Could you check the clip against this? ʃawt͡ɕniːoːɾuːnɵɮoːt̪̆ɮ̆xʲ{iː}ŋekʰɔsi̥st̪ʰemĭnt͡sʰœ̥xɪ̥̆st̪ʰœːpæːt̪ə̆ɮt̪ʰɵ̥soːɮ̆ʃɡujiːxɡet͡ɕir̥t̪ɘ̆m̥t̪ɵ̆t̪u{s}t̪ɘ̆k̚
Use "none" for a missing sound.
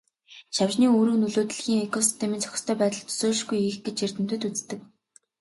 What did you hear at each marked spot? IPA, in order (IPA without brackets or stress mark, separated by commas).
iː, t͡s